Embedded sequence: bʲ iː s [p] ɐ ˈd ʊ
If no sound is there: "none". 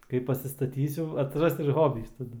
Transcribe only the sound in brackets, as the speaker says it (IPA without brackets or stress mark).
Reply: t